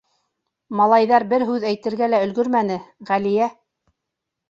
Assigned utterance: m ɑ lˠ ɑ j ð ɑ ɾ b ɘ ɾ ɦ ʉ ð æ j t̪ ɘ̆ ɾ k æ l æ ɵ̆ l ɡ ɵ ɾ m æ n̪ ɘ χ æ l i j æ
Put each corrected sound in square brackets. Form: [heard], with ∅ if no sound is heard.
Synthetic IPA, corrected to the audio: m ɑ lˠ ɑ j ð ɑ ɾ b ɘ ɾ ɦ ʉ ð æ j t̪ ɘ̆ ɾ [ɡ] æ l æ ɵ̆ l ɡ ɵ ɾ m æ n̪ ɘ [ʁ] æ l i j æ